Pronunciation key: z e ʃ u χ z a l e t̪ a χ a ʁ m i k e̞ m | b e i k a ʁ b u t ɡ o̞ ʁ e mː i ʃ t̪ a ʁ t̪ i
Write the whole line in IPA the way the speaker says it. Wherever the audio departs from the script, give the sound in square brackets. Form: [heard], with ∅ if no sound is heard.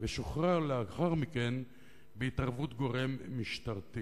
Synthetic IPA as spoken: [v] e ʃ [o] χ [ʁ] a l e [∅] a χ a ʁ m i k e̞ [n] | b e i [t] a ʁ [v] u t ɡ o̞ ʁ e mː i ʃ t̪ a ʁ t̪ i